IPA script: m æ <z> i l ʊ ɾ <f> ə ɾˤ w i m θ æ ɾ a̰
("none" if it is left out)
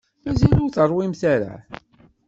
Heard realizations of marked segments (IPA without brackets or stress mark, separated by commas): z, θ